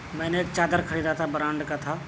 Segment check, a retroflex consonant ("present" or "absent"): present